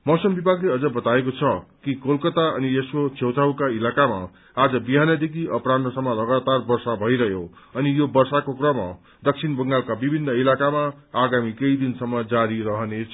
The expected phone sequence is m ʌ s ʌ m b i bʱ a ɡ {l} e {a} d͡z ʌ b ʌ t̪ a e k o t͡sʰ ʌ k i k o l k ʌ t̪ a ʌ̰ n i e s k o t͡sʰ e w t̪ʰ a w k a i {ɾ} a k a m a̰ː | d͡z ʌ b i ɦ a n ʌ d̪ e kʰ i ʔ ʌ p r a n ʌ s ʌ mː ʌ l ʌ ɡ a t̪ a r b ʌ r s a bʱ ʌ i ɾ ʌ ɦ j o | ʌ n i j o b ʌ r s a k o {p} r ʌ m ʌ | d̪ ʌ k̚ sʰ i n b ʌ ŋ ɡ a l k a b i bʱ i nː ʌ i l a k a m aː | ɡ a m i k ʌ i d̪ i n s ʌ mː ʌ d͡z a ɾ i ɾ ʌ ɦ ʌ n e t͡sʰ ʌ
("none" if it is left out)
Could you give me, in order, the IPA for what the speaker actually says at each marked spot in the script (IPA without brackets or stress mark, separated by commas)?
l, ʌ, l, k